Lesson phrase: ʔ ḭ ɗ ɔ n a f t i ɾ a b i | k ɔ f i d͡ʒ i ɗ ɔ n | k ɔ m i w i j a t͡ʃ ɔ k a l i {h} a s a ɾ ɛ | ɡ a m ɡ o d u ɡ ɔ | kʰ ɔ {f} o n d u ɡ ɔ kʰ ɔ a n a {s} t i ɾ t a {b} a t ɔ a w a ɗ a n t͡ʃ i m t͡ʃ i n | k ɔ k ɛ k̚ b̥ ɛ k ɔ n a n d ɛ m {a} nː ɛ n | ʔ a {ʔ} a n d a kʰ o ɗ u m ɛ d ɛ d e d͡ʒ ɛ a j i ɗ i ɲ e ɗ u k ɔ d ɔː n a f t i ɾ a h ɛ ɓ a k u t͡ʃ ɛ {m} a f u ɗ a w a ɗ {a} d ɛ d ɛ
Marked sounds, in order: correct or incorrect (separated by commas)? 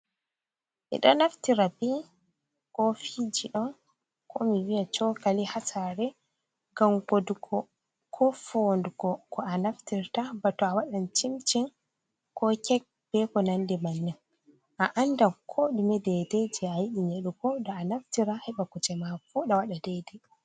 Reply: correct, correct, incorrect, correct, correct, correct, correct, correct